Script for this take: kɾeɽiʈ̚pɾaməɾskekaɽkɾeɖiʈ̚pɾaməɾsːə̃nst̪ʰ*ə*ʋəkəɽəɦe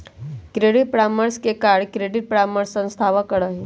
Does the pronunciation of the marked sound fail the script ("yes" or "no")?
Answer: yes